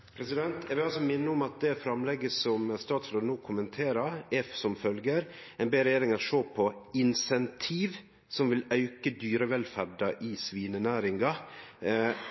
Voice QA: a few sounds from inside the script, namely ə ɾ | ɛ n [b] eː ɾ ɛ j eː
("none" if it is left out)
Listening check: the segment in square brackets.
b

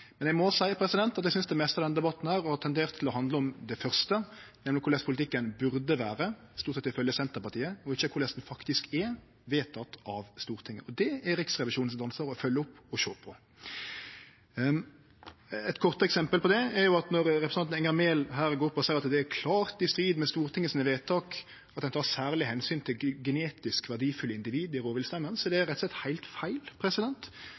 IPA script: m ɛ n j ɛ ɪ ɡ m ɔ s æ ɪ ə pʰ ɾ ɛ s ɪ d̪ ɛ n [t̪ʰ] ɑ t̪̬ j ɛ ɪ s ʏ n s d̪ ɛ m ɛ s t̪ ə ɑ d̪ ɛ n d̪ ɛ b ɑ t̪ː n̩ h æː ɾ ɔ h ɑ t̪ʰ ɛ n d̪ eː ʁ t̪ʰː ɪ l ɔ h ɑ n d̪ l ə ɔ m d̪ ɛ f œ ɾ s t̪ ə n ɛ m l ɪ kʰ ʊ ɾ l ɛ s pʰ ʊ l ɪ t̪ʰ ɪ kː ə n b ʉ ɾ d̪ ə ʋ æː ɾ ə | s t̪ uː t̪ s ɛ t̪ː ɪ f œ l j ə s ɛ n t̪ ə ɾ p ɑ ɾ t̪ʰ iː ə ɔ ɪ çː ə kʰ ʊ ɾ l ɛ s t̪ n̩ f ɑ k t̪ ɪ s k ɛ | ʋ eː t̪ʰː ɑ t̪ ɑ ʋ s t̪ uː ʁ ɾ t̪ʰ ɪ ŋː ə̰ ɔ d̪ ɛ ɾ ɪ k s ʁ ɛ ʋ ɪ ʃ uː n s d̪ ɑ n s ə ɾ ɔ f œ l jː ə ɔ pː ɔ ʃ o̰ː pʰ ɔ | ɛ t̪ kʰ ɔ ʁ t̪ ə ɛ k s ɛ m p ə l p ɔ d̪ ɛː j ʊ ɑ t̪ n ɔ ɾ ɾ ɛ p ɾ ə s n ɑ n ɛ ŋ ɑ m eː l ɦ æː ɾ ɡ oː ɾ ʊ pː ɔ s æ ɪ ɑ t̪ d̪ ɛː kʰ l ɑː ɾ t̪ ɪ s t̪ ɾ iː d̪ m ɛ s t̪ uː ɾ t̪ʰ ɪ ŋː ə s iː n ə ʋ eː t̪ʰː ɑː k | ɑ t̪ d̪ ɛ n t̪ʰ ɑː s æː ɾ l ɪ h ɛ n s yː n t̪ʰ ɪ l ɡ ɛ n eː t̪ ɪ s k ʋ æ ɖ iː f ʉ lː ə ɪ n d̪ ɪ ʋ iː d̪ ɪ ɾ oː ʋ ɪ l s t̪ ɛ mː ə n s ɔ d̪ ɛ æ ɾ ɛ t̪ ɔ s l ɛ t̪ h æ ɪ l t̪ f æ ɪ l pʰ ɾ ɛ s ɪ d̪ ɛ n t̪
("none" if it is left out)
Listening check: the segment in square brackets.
t̪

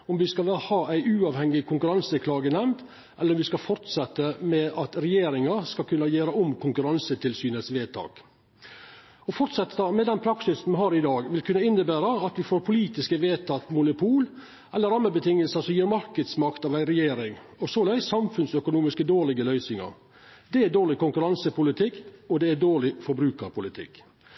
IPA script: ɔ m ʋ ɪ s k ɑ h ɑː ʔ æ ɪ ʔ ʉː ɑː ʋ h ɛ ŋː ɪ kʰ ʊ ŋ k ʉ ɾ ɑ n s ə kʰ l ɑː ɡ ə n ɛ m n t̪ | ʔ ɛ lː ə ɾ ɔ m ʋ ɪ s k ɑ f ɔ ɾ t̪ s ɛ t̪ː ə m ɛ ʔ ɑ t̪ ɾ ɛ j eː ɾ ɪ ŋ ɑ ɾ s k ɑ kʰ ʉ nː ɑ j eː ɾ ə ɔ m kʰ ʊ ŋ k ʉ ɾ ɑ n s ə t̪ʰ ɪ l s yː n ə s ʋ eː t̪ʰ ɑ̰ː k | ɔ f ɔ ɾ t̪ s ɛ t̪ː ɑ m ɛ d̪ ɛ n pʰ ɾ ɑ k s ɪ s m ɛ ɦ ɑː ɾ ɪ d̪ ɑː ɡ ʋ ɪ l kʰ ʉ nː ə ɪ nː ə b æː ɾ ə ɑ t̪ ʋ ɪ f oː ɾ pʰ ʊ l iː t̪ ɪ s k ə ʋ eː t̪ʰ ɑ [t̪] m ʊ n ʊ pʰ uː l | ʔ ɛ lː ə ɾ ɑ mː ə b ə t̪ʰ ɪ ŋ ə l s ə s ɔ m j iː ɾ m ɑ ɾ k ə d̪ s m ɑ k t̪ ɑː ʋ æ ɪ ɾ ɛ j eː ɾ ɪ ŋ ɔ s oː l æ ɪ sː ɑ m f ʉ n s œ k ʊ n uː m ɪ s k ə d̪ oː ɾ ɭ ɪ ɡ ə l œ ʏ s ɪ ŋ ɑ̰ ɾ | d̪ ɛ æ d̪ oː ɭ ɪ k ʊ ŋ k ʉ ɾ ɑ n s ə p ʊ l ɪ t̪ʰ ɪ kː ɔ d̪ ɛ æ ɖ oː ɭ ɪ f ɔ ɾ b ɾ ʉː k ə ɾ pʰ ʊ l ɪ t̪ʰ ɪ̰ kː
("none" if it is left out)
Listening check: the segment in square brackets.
t̪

